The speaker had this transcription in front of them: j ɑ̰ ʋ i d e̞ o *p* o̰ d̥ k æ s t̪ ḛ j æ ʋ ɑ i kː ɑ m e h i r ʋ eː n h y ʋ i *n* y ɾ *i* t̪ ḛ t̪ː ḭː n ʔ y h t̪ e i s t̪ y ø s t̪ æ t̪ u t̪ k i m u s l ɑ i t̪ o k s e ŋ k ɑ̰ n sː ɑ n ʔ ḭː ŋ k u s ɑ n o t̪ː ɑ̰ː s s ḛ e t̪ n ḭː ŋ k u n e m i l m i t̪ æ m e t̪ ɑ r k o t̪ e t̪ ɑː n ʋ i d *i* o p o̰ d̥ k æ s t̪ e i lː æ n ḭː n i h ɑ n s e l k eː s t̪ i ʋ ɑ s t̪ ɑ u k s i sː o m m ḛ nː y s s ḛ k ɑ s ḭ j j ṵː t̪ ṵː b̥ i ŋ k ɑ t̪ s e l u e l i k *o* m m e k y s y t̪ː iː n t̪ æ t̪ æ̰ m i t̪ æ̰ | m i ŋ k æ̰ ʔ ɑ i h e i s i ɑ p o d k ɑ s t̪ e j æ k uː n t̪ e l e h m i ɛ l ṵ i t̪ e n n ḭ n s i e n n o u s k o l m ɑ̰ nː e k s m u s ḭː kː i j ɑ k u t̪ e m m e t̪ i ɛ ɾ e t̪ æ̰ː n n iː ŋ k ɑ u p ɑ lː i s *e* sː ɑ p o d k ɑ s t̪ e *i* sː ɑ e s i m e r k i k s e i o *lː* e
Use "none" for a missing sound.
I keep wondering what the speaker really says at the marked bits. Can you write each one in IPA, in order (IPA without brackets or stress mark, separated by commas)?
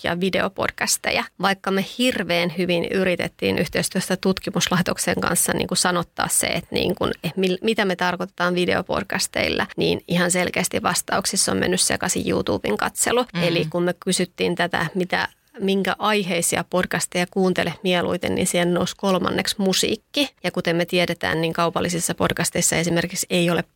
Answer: p, n, i, e, u, i, i, l